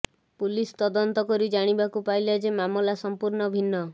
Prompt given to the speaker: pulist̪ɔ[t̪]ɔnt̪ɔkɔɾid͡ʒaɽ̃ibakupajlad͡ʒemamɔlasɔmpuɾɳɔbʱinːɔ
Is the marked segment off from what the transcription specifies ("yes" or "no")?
yes